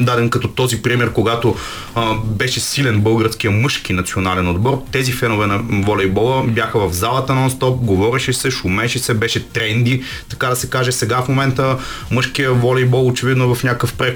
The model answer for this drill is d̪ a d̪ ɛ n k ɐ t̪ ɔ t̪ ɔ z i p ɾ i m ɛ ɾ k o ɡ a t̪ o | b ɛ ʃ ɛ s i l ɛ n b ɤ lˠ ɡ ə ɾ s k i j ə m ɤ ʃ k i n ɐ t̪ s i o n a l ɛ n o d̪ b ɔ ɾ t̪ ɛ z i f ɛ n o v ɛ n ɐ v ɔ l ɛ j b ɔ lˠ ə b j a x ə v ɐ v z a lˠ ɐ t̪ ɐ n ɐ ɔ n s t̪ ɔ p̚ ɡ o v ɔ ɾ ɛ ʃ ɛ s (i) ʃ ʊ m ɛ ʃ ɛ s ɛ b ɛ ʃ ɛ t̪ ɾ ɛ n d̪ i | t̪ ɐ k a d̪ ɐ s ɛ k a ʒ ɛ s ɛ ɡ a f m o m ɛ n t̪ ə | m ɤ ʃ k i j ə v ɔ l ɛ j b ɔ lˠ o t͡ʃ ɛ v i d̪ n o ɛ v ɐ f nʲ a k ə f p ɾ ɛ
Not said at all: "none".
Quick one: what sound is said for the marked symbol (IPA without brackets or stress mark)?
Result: ɛ